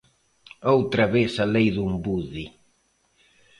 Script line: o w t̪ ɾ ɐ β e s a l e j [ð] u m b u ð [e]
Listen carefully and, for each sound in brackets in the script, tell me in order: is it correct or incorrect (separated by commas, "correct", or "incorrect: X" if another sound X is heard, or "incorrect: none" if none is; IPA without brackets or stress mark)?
correct, incorrect: i